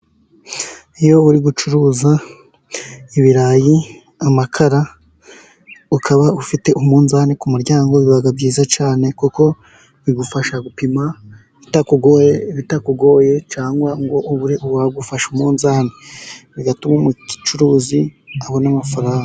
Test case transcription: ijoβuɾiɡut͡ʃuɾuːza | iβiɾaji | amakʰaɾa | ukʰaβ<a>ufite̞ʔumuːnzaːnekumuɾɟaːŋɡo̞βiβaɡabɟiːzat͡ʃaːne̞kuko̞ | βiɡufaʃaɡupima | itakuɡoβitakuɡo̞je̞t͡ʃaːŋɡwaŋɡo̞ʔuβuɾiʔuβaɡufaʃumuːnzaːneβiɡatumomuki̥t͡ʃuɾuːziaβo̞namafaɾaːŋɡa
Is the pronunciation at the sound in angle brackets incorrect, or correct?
correct